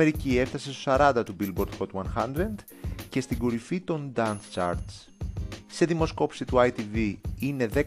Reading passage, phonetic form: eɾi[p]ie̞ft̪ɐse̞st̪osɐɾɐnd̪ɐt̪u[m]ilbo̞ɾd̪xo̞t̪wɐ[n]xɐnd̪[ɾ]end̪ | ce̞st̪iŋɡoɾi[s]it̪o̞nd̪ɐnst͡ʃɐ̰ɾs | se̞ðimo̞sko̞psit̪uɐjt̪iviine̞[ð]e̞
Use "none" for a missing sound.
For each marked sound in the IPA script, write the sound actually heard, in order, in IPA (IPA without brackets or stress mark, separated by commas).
c, b, n, ɾ, f, ð